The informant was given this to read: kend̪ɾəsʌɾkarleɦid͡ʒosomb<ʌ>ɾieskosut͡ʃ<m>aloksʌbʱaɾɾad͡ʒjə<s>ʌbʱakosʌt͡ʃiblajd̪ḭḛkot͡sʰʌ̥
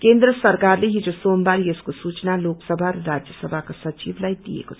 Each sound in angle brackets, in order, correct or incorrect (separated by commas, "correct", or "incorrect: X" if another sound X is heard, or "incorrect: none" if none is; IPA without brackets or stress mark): incorrect: a, incorrect: n, correct